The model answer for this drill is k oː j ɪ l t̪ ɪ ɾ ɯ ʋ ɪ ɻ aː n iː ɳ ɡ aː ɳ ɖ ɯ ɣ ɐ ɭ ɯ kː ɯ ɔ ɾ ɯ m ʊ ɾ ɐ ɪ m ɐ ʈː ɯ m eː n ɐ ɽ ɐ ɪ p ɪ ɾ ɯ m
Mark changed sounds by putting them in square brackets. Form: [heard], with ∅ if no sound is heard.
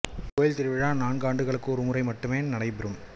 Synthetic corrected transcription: k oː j ɪ l t̪ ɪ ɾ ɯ ʋ ɪ ɻ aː n [aː] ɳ ɡ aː ɳ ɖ ɯ ɣ ɐ ɭ ɯ kː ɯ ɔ ɾ ɯ m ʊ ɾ ɐ ɪ m ɐ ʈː ɯ m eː n ɐ ɽ ɐ ɪ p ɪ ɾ ɯ m